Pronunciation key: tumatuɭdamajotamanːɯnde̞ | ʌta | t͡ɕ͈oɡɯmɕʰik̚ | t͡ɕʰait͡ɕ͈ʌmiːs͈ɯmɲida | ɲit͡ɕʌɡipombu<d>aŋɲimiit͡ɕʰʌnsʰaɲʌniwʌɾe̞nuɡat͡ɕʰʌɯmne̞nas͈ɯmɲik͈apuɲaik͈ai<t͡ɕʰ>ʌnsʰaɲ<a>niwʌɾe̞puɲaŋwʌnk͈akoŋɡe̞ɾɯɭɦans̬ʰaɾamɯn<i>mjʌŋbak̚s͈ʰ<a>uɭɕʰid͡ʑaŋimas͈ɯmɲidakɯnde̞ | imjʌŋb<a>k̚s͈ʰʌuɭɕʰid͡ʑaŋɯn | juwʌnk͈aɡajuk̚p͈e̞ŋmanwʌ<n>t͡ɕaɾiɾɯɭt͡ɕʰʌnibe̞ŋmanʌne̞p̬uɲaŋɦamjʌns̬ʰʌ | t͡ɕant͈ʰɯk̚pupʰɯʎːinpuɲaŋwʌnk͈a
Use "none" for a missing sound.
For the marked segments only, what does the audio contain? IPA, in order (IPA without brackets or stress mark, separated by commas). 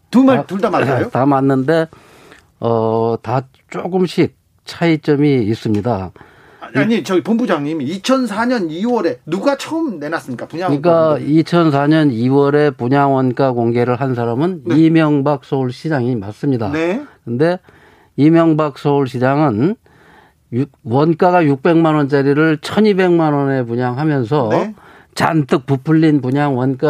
d͡ʑ, t͡ɕʰ, ʌ, i, ʌ, a, n